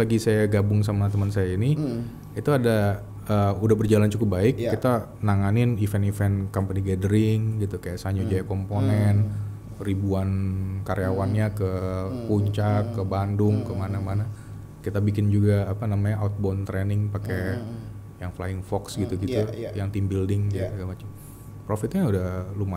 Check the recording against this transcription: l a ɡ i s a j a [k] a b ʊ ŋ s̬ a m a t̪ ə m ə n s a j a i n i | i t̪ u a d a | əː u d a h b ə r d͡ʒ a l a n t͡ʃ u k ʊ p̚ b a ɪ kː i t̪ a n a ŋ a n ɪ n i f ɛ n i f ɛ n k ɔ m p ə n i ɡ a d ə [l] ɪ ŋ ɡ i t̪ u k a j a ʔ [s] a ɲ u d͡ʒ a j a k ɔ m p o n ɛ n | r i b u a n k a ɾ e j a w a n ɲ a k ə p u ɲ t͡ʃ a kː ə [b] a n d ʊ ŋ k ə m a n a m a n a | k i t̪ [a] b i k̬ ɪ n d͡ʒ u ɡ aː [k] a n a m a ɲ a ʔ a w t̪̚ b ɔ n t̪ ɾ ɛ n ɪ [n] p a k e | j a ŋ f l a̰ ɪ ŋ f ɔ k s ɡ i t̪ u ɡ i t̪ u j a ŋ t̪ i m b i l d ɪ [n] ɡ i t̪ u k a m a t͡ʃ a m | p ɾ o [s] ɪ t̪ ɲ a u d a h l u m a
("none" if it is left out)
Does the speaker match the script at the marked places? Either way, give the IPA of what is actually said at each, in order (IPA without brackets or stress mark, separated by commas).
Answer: ɡ, ɾ, s, b, a, p, ŋ, ŋ, f